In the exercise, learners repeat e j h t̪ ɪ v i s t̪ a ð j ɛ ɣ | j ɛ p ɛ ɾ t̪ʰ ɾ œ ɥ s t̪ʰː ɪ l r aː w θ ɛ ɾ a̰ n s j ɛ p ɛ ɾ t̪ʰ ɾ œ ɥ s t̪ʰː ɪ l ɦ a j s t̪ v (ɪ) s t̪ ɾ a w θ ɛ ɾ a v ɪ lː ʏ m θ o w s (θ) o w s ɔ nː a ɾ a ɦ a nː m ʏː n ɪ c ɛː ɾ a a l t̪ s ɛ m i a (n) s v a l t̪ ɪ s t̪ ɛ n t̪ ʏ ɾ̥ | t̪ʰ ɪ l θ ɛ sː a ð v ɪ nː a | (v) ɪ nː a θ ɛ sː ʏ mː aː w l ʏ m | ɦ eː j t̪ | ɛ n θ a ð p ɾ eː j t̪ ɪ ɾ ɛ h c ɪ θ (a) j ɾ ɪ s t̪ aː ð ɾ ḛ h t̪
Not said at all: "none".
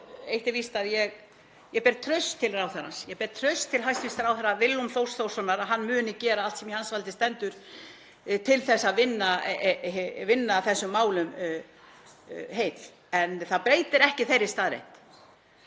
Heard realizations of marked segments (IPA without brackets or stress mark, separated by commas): i, θ, n, v, e